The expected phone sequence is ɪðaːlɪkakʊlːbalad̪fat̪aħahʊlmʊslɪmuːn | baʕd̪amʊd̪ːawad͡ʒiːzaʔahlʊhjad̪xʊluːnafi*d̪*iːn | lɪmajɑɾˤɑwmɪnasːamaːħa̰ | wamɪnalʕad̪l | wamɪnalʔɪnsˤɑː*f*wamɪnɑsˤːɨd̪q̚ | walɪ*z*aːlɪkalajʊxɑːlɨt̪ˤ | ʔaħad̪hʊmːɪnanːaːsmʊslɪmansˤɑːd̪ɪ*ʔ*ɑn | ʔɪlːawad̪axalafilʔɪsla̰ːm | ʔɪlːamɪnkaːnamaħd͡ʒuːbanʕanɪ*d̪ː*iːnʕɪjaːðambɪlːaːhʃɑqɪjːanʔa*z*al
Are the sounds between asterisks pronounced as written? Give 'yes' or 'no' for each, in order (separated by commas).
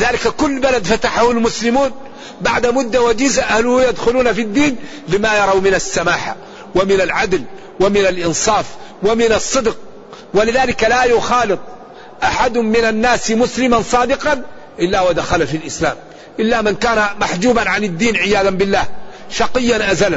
no, yes, no, no, yes, yes